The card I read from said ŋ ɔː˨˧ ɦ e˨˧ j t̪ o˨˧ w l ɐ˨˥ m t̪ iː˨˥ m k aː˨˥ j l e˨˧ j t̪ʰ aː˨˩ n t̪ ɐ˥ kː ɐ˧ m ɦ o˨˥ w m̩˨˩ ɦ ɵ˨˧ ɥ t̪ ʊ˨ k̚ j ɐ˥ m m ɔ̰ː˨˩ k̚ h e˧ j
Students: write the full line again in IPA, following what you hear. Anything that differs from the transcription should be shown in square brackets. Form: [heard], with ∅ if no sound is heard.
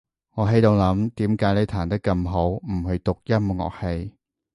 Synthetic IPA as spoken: ŋ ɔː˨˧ ɦ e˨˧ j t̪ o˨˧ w l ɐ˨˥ m t̪ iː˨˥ m k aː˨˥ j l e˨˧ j t̪ʰ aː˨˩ n t̪ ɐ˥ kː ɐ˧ m ɦ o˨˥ w m̩˨˩ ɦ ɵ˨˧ ɥ t̪ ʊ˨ k̚ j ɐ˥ m [ŋ] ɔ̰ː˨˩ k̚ h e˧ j